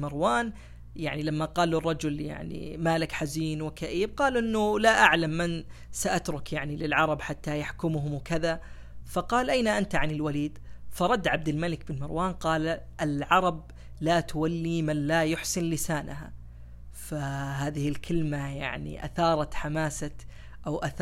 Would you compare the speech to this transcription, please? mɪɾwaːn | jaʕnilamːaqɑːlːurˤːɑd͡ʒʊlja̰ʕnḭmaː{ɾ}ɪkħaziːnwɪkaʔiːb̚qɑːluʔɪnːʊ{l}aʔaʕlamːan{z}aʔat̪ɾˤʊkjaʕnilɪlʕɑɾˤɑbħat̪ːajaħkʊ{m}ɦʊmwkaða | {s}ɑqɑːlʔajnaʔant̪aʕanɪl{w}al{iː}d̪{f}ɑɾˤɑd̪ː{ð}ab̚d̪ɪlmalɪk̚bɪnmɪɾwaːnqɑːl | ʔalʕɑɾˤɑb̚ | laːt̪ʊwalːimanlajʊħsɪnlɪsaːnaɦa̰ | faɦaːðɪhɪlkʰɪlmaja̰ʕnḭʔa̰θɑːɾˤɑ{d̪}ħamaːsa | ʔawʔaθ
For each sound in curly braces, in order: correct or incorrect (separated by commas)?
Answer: incorrect, correct, incorrect, correct, incorrect, correct, correct, correct, incorrect, incorrect